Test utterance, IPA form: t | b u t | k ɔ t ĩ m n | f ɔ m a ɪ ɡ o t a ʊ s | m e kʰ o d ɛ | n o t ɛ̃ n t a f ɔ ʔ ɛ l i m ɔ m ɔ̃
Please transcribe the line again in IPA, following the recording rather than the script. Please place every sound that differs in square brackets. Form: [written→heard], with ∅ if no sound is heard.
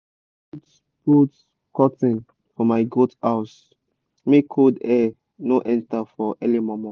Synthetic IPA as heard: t | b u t | k ɔ t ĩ [m→∅] n | f ɔ m a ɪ ɡ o t a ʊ s | m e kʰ o d ɛ | n o [t→ʔ] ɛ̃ n t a f ɔ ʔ ɛ l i m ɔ m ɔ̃